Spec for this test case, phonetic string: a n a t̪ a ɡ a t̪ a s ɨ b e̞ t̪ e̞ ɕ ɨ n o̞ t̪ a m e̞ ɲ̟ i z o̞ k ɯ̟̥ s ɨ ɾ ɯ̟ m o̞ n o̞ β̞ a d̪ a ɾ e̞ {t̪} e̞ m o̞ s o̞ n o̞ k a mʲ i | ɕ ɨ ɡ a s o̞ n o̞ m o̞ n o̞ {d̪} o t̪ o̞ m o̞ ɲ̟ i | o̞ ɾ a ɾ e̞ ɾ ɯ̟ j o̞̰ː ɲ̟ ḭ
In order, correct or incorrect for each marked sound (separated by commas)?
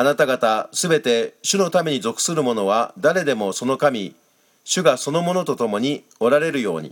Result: incorrect, incorrect